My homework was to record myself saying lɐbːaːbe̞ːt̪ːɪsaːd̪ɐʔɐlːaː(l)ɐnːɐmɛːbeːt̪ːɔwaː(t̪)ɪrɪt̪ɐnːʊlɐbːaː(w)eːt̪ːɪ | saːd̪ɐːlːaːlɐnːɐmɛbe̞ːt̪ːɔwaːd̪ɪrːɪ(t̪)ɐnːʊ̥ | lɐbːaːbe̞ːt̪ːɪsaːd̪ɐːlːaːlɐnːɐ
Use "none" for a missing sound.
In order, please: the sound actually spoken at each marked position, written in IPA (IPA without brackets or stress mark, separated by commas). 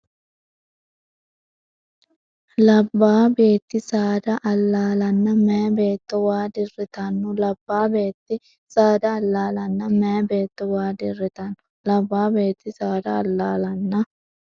l, d̪, b, t̪